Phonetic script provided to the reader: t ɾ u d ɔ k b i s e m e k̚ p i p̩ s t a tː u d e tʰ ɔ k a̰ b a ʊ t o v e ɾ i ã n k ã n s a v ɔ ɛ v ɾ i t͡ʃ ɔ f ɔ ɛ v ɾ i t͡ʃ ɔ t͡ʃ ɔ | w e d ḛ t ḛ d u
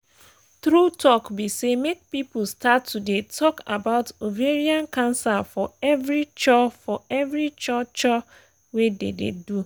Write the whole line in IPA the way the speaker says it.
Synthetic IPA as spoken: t ɾ u t ɔ k b i s e m e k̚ p i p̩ s t a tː u d e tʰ ɔ k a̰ b a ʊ t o v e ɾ i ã n k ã n s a f ɔ ɛ v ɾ i t͡ʃ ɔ f ɔ ɛ v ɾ i t͡ʃ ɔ t͡ʃ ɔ | w e d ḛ d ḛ d u